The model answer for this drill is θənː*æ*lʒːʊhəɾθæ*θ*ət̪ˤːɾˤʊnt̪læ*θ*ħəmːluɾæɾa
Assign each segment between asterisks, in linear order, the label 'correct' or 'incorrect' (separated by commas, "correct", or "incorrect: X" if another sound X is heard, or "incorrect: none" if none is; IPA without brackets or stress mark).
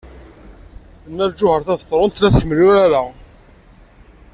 correct, incorrect: ð, correct